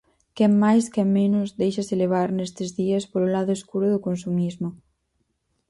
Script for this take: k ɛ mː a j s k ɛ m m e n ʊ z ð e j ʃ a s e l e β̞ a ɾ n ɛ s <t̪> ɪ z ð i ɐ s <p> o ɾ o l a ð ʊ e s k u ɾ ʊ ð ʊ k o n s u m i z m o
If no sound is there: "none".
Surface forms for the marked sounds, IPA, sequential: t̪, p

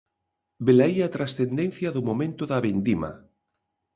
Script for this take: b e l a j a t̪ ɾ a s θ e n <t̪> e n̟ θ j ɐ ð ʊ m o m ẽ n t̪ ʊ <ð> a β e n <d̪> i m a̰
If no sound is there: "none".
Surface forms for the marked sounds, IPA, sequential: d̪, ð, d̪

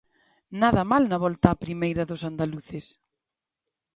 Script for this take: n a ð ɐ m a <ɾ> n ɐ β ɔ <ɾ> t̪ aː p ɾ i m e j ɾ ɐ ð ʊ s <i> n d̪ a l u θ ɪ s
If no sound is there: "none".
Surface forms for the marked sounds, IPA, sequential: l, l, a

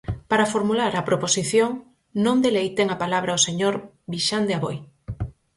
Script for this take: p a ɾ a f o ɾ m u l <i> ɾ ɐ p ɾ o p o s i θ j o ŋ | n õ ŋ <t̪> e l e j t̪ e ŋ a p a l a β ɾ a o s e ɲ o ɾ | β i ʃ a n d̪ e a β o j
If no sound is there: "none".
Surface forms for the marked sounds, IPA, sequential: a, d̪

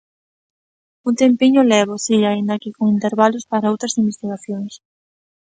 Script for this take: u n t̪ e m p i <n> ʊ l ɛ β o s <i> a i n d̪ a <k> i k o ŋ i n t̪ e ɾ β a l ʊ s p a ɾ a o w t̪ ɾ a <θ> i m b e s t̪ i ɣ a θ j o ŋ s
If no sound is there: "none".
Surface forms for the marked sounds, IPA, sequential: ɲ, i, k, s

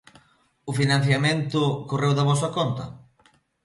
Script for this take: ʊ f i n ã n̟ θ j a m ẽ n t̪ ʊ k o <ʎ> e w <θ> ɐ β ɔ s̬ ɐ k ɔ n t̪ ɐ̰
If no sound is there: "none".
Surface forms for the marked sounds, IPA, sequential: r, ð

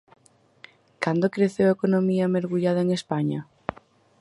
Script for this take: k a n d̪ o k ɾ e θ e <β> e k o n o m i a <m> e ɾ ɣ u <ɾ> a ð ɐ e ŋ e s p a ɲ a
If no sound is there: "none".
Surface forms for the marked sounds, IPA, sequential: w, m, ʎ

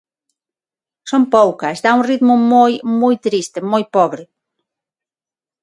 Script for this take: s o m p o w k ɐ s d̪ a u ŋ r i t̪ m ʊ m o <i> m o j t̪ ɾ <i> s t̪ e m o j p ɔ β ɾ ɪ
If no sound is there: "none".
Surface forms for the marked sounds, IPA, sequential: j, i

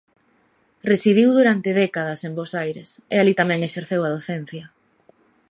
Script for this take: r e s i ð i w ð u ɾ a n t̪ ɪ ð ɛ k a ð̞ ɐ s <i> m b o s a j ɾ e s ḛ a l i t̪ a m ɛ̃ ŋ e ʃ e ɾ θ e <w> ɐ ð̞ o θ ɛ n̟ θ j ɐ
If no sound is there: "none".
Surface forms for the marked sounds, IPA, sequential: e, w

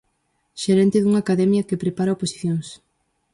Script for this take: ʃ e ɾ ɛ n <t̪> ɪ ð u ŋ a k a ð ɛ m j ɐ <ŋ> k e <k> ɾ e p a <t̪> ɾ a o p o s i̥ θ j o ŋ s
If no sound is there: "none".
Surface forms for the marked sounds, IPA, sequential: t̪, none, p, none

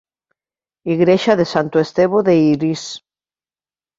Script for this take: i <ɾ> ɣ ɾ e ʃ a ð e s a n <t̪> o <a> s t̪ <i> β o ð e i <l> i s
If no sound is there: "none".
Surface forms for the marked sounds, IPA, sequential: none, t̪, e, e, ɾ

